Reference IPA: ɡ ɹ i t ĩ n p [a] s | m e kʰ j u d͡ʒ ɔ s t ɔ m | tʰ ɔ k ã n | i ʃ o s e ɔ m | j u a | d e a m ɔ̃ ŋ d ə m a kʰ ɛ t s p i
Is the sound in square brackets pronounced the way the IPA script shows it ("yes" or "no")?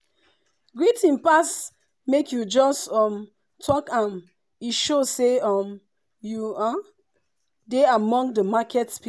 yes